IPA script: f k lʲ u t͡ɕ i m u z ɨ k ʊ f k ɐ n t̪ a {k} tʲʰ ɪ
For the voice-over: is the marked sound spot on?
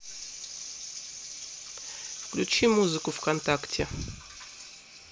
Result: yes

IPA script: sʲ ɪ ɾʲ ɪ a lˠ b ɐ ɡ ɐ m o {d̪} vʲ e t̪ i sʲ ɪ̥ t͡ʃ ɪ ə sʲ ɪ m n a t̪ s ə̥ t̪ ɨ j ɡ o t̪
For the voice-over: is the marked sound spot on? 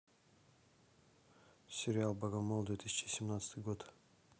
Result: yes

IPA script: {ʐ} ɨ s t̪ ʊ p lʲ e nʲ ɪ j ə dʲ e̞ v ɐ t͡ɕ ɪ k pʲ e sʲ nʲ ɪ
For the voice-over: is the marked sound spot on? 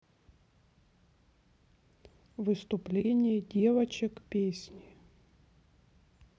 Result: no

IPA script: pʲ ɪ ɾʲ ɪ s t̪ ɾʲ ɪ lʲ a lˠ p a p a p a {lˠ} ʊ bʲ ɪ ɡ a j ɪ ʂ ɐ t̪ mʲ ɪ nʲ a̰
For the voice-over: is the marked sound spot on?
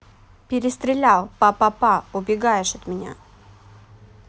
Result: no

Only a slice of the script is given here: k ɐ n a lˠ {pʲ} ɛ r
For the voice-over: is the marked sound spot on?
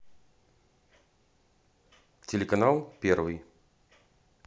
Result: yes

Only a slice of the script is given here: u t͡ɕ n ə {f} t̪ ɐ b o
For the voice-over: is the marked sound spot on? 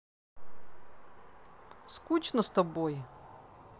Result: no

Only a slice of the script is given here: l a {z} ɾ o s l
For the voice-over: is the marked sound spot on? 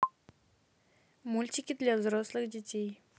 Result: yes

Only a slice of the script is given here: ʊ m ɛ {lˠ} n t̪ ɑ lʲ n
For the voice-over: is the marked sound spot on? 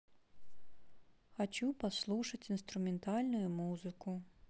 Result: no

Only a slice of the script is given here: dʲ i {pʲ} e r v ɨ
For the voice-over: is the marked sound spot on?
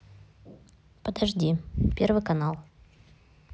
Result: yes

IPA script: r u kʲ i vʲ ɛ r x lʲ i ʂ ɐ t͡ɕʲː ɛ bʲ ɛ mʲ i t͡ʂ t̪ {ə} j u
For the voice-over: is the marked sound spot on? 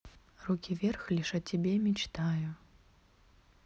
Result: no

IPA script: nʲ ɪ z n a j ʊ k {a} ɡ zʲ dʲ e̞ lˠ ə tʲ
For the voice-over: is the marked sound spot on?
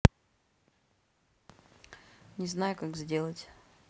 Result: yes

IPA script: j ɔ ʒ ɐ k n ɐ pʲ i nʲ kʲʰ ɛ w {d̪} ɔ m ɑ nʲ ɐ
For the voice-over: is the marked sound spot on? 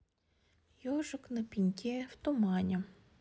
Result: no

